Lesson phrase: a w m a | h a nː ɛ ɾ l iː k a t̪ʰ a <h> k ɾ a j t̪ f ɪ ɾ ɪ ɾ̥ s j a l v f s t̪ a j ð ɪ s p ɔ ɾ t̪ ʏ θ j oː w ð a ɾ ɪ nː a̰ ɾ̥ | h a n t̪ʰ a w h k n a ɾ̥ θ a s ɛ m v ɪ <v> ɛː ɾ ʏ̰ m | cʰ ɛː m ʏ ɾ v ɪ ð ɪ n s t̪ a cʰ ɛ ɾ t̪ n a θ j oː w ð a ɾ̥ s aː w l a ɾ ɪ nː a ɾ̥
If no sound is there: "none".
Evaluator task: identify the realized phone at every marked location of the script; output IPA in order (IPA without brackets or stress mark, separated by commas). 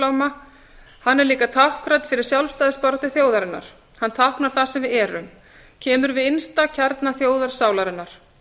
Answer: h, ð